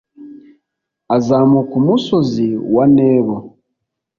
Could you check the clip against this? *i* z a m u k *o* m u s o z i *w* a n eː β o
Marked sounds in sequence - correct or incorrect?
incorrect, incorrect, correct

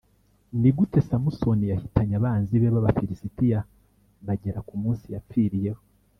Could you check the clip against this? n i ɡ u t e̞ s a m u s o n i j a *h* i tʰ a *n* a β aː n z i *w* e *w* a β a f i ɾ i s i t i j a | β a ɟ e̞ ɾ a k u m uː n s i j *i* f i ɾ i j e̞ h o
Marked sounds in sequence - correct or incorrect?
correct, incorrect, incorrect, incorrect, incorrect

